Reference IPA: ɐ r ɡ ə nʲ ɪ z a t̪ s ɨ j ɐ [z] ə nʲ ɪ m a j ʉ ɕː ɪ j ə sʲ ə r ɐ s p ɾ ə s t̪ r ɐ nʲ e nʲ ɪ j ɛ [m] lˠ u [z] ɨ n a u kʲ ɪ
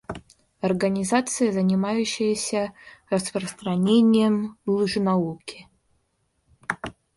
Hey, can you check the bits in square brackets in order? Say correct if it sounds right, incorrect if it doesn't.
correct, correct, incorrect

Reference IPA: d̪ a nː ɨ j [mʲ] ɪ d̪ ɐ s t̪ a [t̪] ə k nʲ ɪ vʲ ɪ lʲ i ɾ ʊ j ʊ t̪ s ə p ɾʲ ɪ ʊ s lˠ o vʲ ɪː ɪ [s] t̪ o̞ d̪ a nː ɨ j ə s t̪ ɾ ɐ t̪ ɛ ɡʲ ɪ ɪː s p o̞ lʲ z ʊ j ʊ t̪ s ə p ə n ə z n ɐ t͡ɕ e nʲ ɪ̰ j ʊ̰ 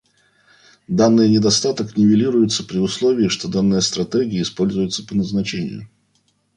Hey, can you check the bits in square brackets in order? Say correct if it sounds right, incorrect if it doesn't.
incorrect, correct, incorrect

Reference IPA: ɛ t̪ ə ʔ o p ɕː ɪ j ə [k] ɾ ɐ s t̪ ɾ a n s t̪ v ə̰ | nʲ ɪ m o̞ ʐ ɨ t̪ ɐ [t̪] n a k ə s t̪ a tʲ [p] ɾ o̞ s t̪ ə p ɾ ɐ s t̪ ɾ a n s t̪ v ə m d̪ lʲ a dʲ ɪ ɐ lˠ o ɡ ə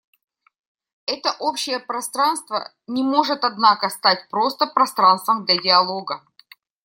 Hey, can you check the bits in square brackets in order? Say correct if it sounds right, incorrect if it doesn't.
incorrect, incorrect, correct

